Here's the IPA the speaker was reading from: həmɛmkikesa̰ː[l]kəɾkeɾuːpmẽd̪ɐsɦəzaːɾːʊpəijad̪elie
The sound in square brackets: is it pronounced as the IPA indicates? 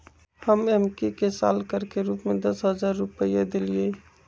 yes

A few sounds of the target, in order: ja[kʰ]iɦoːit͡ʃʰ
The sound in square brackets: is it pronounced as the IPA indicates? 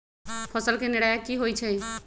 no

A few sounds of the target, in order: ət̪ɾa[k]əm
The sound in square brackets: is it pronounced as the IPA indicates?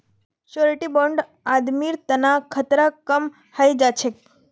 yes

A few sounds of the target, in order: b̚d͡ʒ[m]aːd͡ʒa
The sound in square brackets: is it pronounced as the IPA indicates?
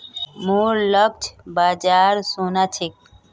no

